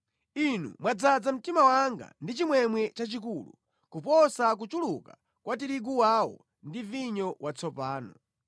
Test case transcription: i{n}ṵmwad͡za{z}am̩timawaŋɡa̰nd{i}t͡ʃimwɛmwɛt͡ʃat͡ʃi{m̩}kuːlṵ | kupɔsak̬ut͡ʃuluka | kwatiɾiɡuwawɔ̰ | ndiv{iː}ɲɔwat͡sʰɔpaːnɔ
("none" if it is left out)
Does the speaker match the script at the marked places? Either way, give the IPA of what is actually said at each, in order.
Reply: n, d͡z, i, none, i

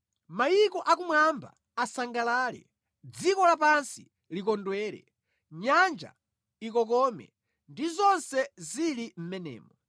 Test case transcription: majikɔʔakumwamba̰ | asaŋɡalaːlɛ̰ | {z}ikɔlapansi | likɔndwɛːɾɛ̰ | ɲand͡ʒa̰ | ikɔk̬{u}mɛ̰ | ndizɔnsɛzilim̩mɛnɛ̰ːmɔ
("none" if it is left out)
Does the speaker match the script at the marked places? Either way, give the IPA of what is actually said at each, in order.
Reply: d͡z, ɔ

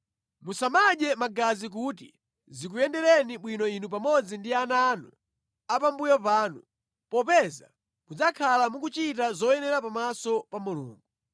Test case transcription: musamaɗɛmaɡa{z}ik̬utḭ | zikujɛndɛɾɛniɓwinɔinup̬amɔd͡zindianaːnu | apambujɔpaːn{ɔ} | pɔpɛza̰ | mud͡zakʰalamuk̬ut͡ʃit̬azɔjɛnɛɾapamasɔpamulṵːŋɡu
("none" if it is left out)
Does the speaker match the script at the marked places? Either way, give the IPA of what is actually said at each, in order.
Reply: z, u

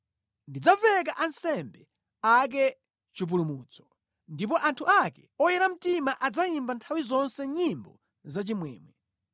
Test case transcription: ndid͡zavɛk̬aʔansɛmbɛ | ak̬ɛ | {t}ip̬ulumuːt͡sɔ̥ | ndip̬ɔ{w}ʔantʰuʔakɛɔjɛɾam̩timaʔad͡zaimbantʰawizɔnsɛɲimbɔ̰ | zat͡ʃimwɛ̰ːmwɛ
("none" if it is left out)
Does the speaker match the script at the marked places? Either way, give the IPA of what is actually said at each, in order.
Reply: t͡ʃ, none

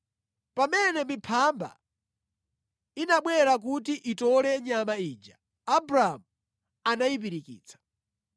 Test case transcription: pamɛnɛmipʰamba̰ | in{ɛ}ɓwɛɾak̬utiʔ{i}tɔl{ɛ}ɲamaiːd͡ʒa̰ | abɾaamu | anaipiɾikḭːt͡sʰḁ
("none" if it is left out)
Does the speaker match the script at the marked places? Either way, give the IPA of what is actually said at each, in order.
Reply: a, i, ɛ

